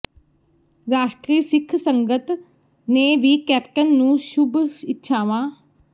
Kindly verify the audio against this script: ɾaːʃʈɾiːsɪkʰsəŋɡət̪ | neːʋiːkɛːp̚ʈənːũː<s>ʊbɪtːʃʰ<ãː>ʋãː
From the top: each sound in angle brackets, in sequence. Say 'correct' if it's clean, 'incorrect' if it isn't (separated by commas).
incorrect, incorrect